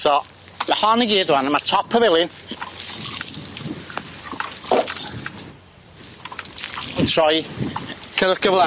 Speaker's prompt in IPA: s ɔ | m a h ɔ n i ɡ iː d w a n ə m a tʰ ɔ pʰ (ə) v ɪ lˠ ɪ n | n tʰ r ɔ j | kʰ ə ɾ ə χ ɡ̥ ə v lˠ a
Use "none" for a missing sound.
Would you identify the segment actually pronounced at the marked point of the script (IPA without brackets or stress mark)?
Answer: ə